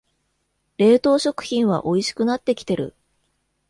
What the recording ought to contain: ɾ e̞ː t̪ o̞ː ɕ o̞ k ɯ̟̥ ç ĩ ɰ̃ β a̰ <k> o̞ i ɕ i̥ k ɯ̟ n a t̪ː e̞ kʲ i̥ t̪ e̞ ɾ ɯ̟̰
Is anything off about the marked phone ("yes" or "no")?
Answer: yes